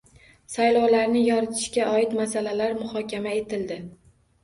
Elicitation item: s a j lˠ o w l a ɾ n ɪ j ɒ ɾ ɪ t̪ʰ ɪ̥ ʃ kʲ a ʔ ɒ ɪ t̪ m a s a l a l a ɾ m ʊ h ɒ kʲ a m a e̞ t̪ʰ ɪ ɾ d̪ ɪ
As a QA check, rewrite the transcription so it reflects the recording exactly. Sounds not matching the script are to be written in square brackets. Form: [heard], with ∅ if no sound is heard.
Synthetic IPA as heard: s a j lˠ [ɒ] w l a ɾ n ɪ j ɒ ɾ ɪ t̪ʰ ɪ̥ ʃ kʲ a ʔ ɒ ɪ t̪ m a s a l a l a ɾ m ʊ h ɒ kʲ a m a e̞ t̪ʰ ɪ [l] d̪ ɪ